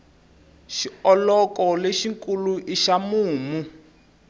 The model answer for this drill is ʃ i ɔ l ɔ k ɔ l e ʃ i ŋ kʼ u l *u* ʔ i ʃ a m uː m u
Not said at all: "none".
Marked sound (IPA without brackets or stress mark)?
u